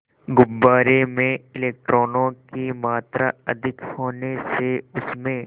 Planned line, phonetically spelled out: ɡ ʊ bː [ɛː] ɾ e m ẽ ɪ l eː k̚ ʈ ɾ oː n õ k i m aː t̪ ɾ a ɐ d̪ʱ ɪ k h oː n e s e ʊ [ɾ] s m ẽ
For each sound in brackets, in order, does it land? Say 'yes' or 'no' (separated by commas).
no, no